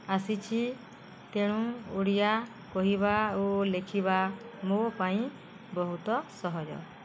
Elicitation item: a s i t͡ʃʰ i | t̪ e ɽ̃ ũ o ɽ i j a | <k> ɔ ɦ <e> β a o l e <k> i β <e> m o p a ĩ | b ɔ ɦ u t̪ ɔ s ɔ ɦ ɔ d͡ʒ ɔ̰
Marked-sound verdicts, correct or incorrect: correct, incorrect: i, incorrect: kʰ, incorrect: a

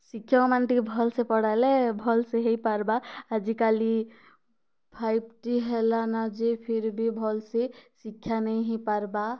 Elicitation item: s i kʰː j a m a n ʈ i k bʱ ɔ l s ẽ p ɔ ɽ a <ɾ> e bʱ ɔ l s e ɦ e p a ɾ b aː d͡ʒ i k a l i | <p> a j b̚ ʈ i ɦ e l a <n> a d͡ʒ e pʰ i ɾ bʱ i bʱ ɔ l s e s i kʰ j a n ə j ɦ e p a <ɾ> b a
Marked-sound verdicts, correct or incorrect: incorrect: l, incorrect: pʰ, correct, correct

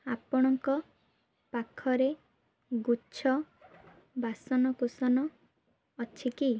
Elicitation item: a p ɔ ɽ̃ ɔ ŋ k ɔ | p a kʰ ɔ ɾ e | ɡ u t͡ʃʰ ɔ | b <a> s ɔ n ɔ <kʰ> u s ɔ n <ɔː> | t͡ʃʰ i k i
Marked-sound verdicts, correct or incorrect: correct, incorrect: k, correct

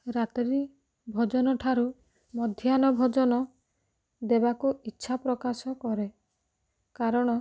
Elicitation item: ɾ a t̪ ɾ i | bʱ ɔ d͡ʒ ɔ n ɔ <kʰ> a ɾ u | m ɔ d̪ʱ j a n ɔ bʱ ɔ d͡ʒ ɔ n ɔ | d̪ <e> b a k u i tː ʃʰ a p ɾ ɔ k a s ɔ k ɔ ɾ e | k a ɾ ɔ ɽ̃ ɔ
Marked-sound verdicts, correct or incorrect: incorrect: ʈʰ, correct

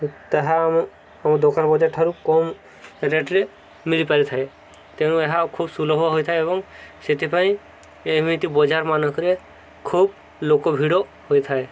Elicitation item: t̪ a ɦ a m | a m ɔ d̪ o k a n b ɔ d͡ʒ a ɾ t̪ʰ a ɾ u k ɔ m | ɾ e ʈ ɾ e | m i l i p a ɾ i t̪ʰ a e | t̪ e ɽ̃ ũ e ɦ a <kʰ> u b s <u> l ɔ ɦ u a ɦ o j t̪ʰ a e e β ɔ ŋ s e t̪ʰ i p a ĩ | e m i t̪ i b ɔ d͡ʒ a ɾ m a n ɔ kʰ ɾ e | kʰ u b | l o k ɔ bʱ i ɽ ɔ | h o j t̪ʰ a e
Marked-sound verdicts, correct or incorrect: correct, correct

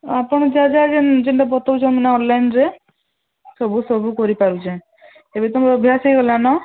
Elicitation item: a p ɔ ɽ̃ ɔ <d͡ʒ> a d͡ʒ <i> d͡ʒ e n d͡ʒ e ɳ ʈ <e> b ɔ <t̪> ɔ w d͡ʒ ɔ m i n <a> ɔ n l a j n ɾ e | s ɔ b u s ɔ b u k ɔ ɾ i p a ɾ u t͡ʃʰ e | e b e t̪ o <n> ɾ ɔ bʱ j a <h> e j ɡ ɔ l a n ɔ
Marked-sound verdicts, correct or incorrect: correct, incorrect: a, incorrect: a, correct, correct, incorrect: m, incorrect: s

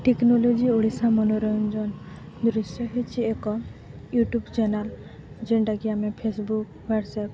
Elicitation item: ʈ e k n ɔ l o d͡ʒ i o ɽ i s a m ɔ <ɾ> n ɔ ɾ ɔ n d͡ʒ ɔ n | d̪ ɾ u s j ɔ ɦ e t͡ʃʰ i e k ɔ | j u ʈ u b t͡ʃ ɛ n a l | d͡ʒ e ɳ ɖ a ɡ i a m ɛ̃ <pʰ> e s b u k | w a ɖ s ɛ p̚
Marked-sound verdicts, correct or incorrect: incorrect: none, correct

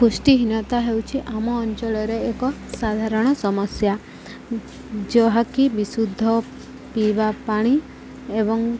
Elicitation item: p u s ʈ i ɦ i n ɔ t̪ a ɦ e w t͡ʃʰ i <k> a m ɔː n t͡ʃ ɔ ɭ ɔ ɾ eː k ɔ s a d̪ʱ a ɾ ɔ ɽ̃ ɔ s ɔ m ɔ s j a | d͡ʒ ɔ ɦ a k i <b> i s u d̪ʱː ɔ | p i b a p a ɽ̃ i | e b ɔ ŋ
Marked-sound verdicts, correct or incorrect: incorrect: ʔ, correct

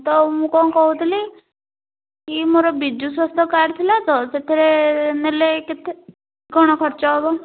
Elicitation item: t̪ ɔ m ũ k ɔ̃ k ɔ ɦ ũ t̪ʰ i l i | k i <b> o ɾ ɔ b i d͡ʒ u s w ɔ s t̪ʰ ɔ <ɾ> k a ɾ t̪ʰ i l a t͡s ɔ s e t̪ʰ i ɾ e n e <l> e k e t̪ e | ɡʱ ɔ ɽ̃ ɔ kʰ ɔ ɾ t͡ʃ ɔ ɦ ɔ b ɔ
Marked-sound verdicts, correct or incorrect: incorrect: m, incorrect: none, correct

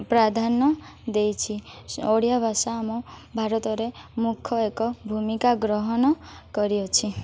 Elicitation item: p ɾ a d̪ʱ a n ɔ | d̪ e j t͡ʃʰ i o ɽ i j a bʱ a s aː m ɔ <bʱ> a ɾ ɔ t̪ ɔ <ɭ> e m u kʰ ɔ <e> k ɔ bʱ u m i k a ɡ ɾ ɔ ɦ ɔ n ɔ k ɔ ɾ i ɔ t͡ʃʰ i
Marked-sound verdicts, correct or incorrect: correct, incorrect: ɾ, correct

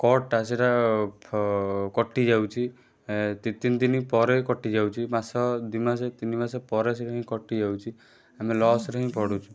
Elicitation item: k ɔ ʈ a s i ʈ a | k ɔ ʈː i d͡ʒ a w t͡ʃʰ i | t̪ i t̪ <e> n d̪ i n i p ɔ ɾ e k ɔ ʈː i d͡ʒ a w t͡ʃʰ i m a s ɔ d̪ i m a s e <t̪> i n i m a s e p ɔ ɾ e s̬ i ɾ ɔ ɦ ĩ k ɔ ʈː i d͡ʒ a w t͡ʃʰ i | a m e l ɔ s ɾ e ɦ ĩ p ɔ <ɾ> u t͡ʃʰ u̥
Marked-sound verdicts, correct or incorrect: incorrect: i, correct, incorrect: ɽ

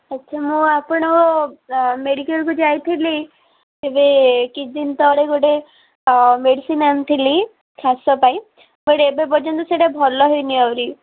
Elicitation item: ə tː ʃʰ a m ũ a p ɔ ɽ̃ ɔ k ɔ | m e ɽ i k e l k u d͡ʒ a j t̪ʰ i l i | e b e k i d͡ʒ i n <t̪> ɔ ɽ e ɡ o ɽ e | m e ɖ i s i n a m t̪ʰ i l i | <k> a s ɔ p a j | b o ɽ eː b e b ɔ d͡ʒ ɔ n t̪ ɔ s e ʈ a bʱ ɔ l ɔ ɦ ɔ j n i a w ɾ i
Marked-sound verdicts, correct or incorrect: correct, incorrect: kʰ

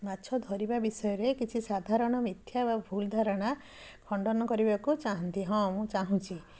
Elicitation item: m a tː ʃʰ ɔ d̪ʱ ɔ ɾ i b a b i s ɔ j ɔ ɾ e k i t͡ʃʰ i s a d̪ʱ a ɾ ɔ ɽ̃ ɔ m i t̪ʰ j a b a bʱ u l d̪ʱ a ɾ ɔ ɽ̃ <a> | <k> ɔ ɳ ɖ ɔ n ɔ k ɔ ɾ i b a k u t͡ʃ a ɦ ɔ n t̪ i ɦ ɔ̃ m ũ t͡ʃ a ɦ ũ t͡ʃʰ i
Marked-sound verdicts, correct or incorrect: correct, incorrect: kʰ

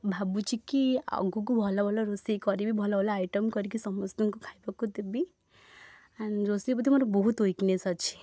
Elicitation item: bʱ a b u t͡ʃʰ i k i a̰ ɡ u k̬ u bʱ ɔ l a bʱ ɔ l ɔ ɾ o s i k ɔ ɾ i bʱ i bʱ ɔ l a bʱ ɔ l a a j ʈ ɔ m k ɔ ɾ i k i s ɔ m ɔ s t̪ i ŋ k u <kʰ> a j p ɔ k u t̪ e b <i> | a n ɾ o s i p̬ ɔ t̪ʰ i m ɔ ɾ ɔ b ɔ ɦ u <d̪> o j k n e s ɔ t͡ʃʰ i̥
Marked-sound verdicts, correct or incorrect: correct, correct, incorrect: t̪

